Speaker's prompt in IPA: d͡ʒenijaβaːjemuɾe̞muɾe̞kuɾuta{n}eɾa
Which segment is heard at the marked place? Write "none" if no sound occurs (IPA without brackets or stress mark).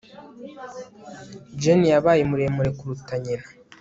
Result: ɲ